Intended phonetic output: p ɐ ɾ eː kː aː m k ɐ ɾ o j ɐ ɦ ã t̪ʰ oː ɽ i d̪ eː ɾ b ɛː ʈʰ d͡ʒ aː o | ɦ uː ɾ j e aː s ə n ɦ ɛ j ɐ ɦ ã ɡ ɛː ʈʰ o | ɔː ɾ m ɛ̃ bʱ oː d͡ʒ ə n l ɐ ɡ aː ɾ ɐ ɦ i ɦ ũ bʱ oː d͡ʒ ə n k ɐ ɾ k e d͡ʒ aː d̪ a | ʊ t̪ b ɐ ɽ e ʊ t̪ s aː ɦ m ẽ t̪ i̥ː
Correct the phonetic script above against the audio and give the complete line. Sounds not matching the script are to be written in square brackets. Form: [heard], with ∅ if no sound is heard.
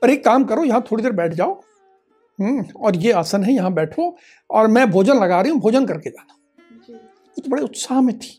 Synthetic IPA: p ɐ ɾ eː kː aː m k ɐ ɾ o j ɐ ɦ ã t̪ʰ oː ɽ i d̪ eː ɾ b ɛː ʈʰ d͡ʒ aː o | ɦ [ɔː] ɾ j e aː s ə n ɦ ɛ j ɐ ɦ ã [b] ɛː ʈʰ o | ɔː ɾ m ɛ̃ bʱ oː d͡ʒ ə n l ɐ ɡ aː ɾ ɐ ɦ i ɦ ũ bʱ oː d͡ʒ ə n k ɐ ɾ k e d͡ʒ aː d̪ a | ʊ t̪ b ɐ ɽ e ʊ t̪ s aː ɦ m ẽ [t̪ʰ] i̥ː